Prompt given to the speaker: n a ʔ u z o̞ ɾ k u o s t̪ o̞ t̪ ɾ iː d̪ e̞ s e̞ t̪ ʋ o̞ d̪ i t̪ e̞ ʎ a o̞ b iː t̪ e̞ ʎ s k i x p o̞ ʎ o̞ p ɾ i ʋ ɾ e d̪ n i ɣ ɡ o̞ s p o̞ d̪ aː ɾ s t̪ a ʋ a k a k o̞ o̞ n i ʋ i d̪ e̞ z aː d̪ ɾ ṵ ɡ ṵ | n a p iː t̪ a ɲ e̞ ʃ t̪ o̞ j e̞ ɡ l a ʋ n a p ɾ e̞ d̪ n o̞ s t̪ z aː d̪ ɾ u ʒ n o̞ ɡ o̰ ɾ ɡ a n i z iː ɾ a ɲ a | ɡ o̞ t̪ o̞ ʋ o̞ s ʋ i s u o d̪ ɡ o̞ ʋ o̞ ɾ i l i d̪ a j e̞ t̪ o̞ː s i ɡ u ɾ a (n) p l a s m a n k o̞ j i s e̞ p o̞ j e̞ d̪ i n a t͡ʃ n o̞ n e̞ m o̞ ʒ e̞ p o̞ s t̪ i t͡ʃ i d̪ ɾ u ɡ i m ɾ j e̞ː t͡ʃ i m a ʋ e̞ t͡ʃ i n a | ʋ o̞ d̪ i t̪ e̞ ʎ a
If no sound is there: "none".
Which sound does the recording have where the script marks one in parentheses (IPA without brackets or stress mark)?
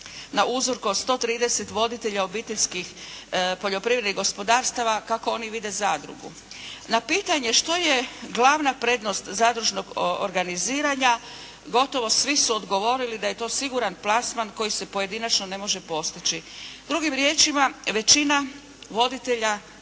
n